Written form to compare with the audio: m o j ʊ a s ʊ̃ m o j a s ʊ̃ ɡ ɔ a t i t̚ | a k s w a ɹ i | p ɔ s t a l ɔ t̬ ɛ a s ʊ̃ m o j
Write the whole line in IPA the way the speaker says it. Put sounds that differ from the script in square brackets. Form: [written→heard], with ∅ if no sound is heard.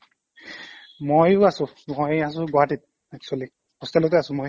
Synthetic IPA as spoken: m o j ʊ a s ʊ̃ m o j a s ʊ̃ ɡ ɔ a t i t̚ | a k s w a [ɹ→l] i | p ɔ s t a l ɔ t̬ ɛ a s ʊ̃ m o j